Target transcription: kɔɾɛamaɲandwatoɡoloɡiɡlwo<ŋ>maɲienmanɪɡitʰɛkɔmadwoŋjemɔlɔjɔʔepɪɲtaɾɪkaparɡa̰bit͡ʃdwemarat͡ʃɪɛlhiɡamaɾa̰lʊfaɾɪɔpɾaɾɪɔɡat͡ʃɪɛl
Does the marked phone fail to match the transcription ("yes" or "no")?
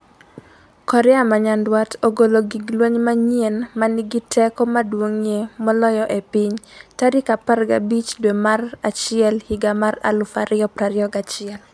yes